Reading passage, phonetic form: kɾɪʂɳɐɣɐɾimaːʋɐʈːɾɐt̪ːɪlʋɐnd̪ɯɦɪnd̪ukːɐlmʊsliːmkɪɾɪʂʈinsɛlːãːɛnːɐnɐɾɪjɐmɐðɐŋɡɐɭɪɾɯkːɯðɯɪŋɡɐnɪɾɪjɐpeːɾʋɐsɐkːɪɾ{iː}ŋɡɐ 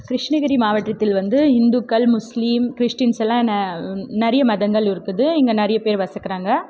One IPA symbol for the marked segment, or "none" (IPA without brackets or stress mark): aː